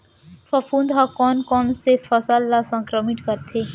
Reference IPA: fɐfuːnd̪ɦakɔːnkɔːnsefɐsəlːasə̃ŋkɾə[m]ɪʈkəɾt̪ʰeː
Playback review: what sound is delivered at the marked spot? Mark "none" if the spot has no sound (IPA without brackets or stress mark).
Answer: m